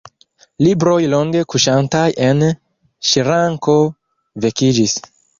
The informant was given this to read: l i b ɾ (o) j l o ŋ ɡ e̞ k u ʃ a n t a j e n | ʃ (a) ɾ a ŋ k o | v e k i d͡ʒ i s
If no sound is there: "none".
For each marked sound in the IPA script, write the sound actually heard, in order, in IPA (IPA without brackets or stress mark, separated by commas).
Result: o, i